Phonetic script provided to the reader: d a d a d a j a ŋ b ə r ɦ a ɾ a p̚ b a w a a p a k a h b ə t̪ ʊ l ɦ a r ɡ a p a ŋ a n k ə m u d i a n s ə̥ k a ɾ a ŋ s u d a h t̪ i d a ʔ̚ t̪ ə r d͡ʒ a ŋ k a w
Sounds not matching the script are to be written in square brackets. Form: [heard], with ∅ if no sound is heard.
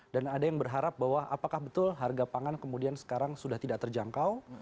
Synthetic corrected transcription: d a [n] a d a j a ŋ b ə r ɦ a ɾ a p̚ b a w a a p a k a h b ə t̪ ʊ l ɦ a r ɡ a p a ŋ a n k ə m u d i a n s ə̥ k a ɾ a ŋ s u d a h t̪ i d a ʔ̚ t̪ ə r d͡ʒ a ŋ k a w